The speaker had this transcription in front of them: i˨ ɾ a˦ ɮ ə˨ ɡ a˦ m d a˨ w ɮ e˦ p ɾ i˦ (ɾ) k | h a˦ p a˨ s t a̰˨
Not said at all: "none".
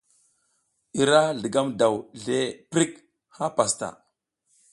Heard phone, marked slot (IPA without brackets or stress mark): none